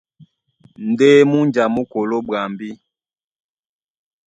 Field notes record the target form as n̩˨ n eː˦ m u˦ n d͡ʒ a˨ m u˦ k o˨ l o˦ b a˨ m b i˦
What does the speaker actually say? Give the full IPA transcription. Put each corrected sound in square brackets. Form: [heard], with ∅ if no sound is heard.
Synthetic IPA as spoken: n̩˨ [d] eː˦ m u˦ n d͡ʒ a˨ m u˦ k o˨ l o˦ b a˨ m b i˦